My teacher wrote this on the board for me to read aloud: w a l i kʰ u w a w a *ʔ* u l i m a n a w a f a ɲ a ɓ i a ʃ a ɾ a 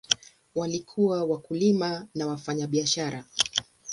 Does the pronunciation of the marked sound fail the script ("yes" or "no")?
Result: yes